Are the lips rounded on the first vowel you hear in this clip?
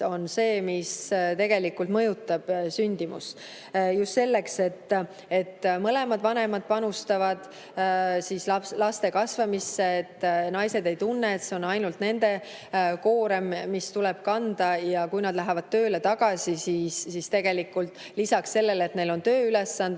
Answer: yes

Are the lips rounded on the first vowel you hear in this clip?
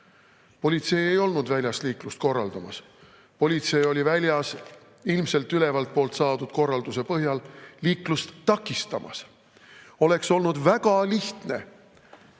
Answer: yes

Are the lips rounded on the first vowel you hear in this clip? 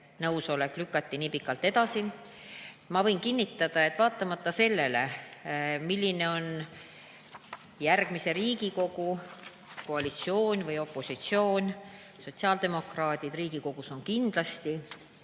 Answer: no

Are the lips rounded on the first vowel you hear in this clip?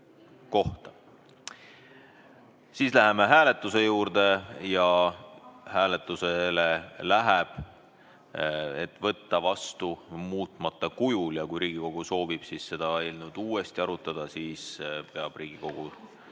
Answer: yes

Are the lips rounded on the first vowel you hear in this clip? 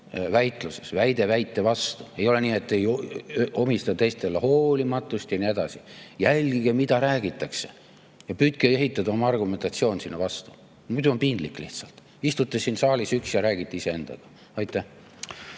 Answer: no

